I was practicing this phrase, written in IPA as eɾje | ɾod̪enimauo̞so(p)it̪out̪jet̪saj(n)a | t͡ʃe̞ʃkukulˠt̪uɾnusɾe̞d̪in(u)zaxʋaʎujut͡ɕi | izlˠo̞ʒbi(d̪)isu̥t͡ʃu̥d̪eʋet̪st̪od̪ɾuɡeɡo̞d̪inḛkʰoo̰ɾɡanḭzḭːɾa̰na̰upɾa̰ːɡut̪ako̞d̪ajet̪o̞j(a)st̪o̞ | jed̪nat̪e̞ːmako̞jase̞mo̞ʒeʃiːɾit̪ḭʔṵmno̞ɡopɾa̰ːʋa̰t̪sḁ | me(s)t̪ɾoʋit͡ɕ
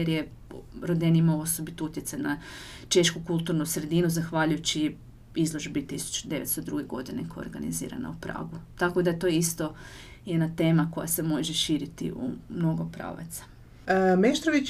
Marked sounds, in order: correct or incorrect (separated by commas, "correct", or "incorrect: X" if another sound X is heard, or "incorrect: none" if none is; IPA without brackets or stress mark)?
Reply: incorrect: b, correct, correct, incorrect: t̪, incorrect: i, incorrect: ʃ